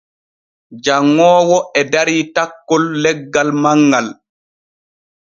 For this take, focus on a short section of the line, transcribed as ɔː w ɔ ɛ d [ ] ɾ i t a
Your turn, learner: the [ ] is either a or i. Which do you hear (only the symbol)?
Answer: a